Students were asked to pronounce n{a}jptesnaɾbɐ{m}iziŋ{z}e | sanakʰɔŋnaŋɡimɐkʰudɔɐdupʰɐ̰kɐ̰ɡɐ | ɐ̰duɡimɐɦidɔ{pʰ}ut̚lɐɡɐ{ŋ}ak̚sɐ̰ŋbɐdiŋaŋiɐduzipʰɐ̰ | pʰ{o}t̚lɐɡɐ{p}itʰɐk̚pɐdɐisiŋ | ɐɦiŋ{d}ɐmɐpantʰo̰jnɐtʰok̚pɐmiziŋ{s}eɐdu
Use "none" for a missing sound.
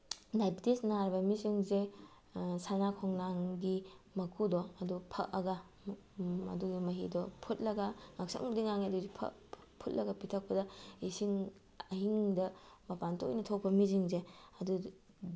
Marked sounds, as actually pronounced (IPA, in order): a, m, z, pʰ, ŋ, u, p, d, z

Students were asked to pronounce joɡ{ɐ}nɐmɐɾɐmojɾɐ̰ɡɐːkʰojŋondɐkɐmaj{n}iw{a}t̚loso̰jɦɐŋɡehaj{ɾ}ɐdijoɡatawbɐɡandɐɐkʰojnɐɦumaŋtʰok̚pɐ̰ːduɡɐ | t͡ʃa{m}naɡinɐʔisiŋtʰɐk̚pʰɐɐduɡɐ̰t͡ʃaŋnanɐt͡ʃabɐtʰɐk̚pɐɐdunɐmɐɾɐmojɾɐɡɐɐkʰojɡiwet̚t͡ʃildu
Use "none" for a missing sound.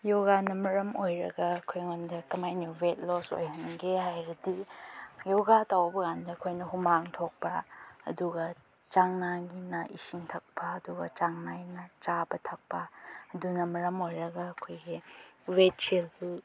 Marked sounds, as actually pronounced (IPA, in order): a, n, e, ɾ, ŋ

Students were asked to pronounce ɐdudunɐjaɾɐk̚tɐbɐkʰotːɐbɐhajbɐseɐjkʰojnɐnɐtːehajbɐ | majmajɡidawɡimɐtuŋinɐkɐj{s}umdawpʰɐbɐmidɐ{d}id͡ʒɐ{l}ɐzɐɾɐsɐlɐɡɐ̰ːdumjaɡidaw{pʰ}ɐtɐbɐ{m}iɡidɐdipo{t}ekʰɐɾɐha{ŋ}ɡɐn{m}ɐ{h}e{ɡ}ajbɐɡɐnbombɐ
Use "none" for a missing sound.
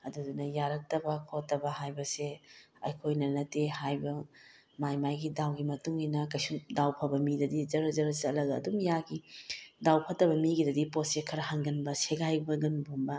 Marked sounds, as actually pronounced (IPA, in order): s, d, ɾ, pʰ, m, s, ŋ, b, s, ɡ

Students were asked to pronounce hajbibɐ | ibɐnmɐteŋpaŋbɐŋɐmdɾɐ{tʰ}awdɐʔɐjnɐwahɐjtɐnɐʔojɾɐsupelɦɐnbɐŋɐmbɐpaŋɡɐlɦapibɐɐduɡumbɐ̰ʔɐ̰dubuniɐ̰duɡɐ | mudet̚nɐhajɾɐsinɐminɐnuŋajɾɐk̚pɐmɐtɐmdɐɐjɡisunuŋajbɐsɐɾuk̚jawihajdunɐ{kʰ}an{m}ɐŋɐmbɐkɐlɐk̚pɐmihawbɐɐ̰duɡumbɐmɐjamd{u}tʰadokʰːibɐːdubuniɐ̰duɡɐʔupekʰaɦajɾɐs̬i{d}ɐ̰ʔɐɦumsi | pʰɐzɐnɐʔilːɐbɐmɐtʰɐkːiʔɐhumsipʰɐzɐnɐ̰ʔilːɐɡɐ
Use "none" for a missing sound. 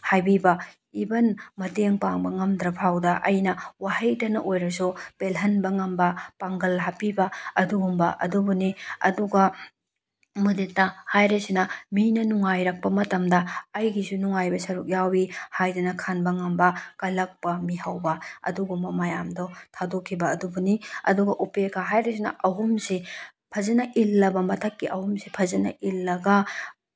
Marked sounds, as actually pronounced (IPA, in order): pʰ, kʰ, b, ɔ, n

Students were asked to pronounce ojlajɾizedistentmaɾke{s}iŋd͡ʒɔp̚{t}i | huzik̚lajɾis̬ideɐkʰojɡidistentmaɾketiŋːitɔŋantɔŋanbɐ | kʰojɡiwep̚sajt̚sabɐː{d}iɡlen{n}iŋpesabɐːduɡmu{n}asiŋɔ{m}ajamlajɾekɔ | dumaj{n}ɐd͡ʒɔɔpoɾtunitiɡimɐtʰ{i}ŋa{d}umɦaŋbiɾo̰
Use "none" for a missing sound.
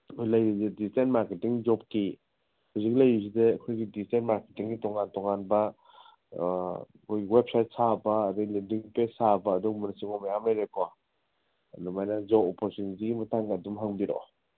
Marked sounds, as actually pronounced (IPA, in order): t, k, d, d, n, m, n, a, d

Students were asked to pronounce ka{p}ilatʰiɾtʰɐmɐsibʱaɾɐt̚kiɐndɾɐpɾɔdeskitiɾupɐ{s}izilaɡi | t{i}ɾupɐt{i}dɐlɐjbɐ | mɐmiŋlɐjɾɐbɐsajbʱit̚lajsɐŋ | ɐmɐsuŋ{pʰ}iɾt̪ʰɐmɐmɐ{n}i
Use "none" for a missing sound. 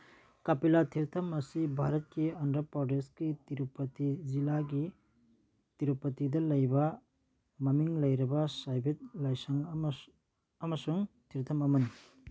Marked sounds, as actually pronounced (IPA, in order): p, t, i, i, tʰ, n

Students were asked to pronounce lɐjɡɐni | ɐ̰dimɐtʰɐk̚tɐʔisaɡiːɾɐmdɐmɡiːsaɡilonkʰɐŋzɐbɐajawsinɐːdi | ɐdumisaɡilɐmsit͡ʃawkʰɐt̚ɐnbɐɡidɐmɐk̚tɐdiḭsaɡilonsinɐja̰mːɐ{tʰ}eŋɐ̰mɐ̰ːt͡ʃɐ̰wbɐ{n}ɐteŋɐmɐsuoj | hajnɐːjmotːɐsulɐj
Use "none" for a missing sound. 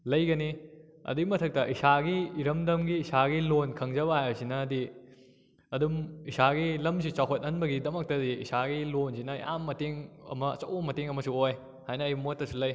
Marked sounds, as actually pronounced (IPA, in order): t, m

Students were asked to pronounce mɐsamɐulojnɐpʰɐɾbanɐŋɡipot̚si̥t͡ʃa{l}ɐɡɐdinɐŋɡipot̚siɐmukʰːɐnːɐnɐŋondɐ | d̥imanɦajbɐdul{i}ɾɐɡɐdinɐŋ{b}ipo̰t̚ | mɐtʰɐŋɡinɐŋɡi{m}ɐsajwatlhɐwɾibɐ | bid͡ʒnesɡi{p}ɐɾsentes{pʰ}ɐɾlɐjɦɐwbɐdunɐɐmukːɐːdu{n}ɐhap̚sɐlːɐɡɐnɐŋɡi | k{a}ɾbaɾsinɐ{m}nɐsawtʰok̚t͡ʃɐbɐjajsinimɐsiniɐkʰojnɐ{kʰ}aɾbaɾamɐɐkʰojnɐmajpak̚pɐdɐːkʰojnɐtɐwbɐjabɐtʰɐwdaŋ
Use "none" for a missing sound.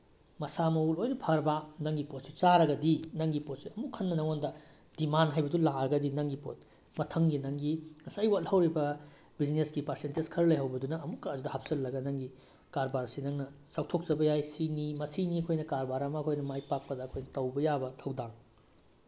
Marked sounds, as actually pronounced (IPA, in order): ɾ, a, ɡ, ŋ, p, kʰ, d, a, ŋ, k

